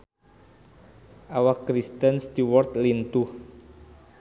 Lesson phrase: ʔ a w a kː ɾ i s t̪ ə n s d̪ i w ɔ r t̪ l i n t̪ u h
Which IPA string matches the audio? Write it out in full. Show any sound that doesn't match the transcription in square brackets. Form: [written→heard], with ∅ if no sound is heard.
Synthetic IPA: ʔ a w a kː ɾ i s t̪ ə n s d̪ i w ɔ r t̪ l i n t̪ u h